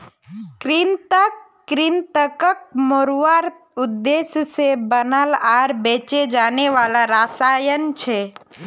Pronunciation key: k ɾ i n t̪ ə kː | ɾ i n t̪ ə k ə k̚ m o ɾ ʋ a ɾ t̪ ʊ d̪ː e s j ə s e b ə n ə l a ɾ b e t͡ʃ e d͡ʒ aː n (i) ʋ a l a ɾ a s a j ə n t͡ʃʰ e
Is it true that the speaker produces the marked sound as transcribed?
no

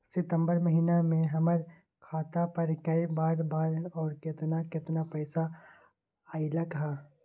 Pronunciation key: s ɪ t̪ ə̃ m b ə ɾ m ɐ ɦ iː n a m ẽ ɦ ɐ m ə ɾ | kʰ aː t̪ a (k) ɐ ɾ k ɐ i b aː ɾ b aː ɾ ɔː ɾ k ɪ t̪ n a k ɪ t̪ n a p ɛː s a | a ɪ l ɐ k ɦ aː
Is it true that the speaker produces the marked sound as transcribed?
no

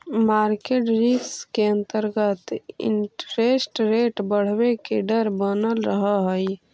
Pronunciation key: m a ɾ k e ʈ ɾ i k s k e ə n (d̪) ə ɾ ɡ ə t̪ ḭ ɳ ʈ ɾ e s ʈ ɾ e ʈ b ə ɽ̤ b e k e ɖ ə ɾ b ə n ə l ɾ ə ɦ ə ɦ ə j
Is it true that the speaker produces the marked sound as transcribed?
no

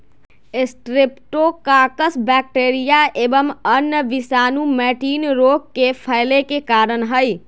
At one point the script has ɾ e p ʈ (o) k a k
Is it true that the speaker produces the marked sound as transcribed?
yes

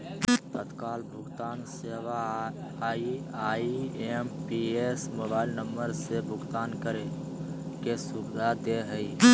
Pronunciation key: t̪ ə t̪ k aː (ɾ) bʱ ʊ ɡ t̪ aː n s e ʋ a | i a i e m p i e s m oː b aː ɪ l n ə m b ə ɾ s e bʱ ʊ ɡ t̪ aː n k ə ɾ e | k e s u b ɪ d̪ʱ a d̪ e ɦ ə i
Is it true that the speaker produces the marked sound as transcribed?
no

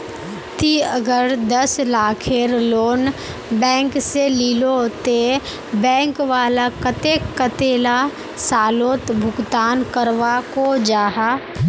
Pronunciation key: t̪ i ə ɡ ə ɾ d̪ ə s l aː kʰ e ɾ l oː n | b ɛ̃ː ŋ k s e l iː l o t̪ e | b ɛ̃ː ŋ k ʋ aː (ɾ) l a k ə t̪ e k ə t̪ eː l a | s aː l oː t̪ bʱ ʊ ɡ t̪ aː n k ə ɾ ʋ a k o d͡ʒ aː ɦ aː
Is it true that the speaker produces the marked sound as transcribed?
no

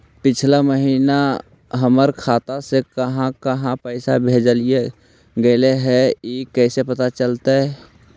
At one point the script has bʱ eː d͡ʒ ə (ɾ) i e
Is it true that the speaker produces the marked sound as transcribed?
no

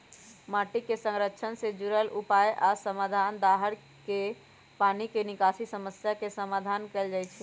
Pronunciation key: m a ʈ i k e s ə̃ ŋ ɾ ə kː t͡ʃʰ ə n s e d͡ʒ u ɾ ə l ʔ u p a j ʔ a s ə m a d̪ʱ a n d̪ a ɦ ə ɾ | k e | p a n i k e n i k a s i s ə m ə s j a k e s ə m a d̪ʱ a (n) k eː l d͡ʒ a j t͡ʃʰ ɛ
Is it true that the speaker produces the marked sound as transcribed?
yes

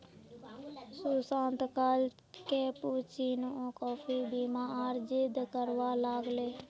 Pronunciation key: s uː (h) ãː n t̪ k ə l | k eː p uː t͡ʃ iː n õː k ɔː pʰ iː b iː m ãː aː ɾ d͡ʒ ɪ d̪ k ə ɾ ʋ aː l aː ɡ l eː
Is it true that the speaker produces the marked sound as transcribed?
no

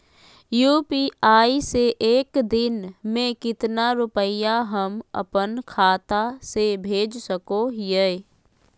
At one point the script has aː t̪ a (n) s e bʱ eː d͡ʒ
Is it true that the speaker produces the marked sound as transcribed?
no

